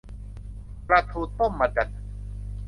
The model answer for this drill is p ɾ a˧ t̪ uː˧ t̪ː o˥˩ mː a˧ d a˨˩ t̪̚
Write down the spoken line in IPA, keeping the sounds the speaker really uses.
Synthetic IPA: p ɾ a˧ t̪ʰ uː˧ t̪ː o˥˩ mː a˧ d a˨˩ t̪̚